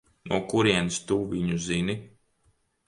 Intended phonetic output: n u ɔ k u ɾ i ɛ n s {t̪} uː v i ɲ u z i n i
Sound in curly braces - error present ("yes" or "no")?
no